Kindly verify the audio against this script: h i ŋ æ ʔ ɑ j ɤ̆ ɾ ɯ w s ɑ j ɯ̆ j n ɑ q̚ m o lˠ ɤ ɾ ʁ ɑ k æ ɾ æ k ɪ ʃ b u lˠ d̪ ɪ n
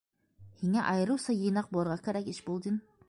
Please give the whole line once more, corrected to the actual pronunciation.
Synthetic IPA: h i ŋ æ ʔ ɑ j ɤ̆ ɾ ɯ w s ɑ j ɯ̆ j n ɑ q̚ b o lˠ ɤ ɾ ʁ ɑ k æ ɾ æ k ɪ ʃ b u lˠ d̪ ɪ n